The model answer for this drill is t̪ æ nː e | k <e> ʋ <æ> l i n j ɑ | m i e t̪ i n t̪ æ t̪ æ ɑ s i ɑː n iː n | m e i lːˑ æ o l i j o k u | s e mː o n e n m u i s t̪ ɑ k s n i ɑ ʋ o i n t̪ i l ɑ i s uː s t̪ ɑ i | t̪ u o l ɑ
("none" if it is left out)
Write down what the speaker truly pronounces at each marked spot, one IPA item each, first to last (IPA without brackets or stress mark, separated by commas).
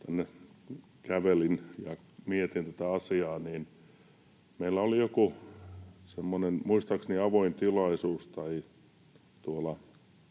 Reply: æ, e